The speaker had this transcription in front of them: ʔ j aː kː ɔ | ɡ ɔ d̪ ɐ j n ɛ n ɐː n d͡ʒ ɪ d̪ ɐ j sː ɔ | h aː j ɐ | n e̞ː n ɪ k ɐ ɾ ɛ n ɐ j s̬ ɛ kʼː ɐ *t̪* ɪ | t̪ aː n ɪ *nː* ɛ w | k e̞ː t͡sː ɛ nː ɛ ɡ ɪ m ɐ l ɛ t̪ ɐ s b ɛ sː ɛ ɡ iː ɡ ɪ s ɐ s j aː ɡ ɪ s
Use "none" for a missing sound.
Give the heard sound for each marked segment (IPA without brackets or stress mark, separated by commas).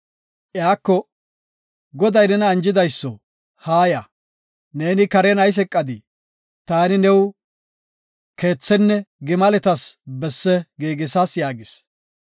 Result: d̪, n